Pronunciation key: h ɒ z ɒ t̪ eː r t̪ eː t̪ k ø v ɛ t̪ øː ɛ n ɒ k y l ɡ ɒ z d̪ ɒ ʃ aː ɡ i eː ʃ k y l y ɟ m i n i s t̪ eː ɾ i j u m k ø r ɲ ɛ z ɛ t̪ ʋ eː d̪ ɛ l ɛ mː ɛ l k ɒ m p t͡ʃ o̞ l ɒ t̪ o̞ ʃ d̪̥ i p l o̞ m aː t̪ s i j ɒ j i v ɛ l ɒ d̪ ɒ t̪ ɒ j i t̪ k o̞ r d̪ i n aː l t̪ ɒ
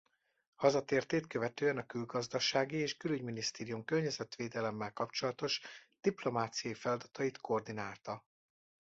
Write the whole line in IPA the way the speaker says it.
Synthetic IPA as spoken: h ɒ z ɒ t̪ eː r t̪ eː t̪ k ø v ɛ t̪ øː ɛ n ɒ k y l ɡ ɒ z d̪ ɒ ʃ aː ɡ i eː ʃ k y l y ɟ m i n i s t̪ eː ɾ i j u m k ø r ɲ ɛ z ɛ t̪ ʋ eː d̪ ɛ l ɛ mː ɛ l k ɒ p t͡ʃ o̞ l ɒ t̪ o̞ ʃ d̪̥ i p l o̞ m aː t̪ s i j ɒ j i f ɛ l ɒ d̪ ɒ t̪ ɒ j i t̪ k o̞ r d̪ i n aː l t̪ ɒ